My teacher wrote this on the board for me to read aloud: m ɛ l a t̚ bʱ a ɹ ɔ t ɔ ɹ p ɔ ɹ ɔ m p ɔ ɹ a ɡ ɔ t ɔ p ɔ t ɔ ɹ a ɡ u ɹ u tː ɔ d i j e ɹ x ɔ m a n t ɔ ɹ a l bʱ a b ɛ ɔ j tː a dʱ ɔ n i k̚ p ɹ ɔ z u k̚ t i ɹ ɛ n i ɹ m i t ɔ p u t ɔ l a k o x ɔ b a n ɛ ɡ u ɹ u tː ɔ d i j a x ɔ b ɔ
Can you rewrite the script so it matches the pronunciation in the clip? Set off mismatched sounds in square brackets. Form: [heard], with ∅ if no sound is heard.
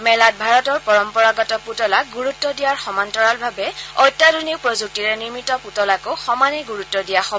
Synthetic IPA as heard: m ɛ l a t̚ bʱ a ɹ ɔ t ɔ ɹ p ɔ ɹ ɔ m p ɔ ɹ a ɡ ɔ t ɔ p [u] t ɔ [l] a ɡ u ɹ u tː ɔ d i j [a] ɹ x ɔ m a n t ɔ ɹ a l bʱ a b ɛ ɔ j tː a dʱ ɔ n i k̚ p ɹ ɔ z u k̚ t i ɹ ɛ n i ɹ m i t ɔ p u t ɔ l a k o x ɔ [m] a n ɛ ɡ u ɹ u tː ɔ d i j a x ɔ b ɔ